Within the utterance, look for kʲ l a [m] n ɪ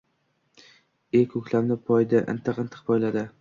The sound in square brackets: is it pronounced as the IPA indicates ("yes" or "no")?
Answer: yes